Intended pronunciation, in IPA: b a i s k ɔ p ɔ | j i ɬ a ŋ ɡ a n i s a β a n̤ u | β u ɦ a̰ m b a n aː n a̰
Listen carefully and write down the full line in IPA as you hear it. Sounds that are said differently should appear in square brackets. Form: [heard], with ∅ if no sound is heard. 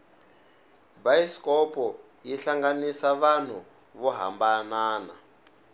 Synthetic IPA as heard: b a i s k ɔ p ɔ | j i ɬ a ŋ ɡ a n i s a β a n̤ u | β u ɦ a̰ m b a n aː n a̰